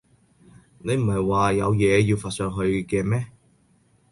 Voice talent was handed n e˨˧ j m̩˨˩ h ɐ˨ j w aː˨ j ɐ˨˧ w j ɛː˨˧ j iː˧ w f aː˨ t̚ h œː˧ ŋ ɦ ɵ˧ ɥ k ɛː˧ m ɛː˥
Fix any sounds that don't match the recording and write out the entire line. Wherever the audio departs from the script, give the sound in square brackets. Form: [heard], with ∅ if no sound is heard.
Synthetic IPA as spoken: n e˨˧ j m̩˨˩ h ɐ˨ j w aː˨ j ɐ˨˧ w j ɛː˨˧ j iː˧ w f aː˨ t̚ [s] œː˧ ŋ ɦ ɵ˧ ɥ k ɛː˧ m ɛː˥